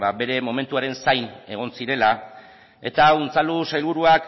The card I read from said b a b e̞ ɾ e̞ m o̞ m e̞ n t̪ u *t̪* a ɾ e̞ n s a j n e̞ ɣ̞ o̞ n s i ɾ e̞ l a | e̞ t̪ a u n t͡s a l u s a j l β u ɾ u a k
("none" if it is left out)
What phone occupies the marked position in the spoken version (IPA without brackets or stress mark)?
none